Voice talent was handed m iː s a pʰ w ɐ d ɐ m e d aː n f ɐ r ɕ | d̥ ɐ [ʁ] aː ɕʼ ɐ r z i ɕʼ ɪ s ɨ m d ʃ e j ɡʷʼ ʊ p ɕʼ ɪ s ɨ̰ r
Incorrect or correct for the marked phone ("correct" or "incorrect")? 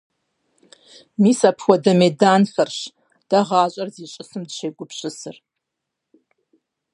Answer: correct